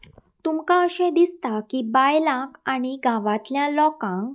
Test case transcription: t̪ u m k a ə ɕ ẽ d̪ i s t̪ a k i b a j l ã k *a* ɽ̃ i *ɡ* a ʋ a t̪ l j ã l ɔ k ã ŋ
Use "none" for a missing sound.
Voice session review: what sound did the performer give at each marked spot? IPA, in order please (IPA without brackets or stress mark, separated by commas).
a, ɡ